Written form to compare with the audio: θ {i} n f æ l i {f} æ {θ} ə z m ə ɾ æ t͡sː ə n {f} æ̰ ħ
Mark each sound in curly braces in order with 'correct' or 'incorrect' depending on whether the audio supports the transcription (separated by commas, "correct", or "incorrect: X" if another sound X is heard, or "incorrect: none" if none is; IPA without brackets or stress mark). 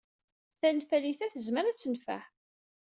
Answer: incorrect: æ, incorrect: θ, correct, correct